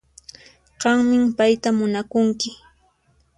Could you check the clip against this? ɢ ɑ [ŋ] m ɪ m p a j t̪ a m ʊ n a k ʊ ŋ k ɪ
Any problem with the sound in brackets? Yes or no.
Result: no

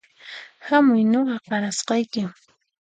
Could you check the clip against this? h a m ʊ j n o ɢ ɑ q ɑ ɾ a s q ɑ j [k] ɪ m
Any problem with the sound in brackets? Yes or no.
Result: no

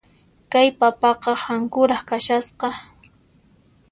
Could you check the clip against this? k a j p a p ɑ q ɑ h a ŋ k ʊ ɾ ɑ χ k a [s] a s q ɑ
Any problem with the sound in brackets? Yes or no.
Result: yes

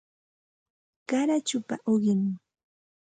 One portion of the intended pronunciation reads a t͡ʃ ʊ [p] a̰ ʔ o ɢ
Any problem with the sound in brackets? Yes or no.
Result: no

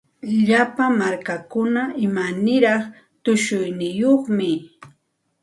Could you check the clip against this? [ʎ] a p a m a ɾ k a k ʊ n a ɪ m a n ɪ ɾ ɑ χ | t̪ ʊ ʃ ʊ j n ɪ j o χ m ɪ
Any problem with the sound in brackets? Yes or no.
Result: no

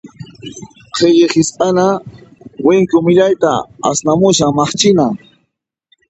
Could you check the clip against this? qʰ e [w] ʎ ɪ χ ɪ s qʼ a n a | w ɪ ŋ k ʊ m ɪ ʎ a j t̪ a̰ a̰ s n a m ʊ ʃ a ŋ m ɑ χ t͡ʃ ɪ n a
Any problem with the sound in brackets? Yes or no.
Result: yes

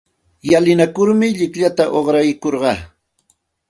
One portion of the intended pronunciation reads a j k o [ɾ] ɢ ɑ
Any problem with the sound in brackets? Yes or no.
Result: no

